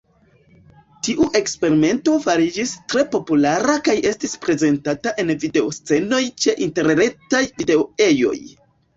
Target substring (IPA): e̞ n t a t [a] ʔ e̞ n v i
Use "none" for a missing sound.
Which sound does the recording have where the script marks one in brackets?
a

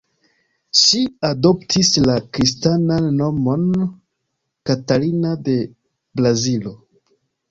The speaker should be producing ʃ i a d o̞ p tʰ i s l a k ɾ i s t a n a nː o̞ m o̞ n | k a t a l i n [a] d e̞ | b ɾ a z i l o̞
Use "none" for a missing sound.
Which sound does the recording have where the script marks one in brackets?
a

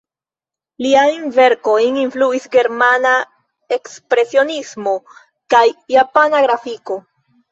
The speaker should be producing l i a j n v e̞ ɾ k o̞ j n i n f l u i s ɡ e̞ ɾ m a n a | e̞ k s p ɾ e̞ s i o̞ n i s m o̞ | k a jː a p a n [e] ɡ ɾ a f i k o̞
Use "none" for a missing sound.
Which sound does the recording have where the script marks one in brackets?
a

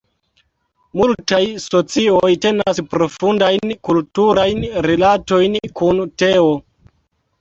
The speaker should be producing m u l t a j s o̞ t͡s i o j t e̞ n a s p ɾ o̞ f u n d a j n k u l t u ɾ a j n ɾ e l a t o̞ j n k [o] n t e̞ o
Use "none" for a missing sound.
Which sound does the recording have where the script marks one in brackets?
u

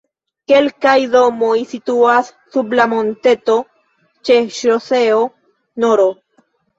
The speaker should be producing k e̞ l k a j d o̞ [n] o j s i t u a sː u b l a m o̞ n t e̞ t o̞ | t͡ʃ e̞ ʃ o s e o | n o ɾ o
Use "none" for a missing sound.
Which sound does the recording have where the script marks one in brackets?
m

